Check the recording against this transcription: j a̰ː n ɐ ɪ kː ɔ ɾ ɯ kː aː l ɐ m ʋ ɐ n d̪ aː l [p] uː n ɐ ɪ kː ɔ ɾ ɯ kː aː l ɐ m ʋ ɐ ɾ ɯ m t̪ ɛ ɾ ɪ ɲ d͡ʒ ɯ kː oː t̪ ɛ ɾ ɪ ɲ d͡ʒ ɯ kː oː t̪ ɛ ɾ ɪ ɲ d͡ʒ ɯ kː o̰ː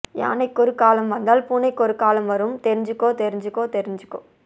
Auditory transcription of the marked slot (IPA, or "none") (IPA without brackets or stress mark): p